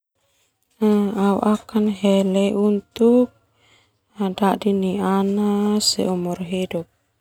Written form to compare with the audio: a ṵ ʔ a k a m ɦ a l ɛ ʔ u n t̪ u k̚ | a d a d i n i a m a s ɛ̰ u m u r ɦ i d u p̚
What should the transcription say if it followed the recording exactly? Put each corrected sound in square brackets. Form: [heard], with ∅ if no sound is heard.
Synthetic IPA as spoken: a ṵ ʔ a k a [n] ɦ [ɛ] l ɛ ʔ u n t̪ u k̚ | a d a d i n i a [n] a s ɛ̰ u m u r ɦ i d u p̚